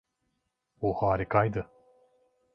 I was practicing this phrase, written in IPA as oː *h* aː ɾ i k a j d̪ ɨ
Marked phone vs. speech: correct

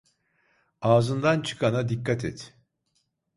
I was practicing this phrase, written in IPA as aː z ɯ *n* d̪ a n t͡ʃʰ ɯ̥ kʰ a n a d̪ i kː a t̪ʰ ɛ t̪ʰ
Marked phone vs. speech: correct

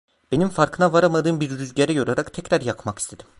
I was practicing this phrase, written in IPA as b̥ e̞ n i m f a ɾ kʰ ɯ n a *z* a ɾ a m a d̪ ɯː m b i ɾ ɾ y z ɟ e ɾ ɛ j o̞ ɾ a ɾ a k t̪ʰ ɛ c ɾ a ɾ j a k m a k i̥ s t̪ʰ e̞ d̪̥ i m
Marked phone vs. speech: incorrect: v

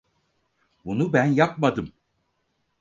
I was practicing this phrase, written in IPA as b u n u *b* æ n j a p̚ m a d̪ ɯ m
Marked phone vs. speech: correct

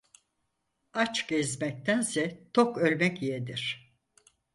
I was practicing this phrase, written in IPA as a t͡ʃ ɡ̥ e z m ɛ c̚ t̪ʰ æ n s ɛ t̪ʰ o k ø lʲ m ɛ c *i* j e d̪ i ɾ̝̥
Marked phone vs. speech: correct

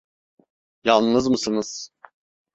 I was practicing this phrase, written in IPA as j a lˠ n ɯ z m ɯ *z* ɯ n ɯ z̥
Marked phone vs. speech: incorrect: s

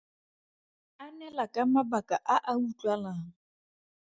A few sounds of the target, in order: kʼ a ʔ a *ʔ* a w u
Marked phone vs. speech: correct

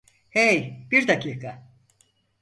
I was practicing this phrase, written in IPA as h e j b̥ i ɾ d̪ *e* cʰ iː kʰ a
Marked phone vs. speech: incorrect: a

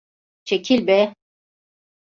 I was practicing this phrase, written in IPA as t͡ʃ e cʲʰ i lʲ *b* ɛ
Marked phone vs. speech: correct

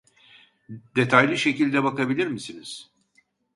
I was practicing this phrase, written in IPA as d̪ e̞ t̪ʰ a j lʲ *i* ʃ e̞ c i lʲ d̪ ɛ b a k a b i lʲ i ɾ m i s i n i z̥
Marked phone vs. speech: correct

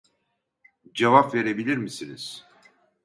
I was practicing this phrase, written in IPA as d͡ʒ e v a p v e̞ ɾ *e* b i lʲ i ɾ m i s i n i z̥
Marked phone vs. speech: correct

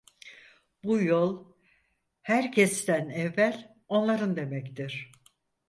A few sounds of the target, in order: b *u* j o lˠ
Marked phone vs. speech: correct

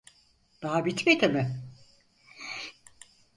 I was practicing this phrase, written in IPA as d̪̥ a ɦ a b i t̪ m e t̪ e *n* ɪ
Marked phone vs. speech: incorrect: m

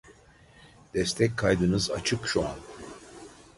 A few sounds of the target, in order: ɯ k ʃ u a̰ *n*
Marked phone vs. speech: correct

